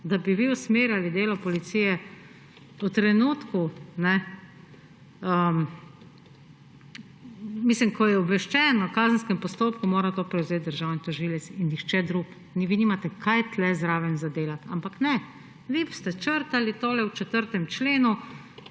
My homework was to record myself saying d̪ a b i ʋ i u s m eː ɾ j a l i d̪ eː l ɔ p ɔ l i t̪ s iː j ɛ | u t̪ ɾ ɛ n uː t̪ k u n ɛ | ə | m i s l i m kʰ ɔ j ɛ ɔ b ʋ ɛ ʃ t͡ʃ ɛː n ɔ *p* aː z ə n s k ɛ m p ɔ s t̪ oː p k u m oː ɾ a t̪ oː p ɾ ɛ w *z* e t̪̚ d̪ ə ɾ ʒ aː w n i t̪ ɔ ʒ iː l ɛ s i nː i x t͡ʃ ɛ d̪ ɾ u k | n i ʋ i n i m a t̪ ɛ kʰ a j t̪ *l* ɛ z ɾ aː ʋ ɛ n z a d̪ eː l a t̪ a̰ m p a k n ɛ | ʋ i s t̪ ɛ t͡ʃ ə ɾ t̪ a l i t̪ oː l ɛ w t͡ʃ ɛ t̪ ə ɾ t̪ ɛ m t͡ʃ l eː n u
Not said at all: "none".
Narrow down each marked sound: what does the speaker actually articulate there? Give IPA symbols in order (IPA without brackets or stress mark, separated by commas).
k, z, l